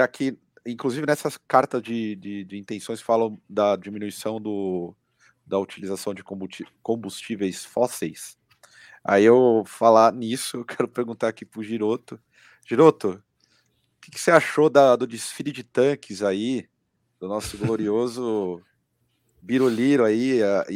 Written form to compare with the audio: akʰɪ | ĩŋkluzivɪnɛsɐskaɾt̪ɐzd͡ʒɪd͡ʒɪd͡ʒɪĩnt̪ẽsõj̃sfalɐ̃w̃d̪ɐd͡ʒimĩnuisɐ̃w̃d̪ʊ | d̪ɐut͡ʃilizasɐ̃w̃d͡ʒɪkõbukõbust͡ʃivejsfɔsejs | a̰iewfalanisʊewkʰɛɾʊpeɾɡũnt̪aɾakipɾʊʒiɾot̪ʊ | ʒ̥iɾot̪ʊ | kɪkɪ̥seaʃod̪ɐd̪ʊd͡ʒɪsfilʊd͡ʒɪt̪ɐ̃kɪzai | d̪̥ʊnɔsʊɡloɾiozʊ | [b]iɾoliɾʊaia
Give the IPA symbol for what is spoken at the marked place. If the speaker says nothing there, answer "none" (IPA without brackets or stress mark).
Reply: b